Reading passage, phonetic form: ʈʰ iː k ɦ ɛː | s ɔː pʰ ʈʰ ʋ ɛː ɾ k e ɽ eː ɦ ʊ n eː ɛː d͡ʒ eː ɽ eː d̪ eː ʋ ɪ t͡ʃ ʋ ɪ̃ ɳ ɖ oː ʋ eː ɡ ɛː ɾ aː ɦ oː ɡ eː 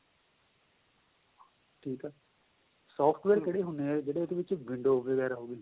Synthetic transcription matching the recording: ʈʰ iː k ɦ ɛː | s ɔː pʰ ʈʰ ʋ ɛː ɾ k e ɽ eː ɦ ʊ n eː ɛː d͡ʒ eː ɽ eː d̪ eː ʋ ɪ t͡ʃ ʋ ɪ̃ ɳ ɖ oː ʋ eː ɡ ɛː ɾ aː ɦ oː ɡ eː